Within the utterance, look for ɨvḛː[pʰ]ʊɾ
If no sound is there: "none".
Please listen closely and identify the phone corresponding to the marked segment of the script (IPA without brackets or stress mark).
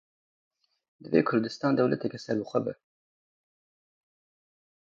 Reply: kʰ